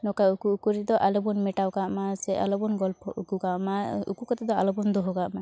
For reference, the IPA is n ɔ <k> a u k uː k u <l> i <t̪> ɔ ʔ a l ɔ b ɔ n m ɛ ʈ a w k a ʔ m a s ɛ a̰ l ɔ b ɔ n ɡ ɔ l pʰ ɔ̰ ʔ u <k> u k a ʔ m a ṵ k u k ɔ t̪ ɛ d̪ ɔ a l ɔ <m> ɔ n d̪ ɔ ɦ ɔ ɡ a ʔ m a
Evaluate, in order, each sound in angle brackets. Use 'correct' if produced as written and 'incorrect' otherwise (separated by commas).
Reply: correct, incorrect, incorrect, correct, incorrect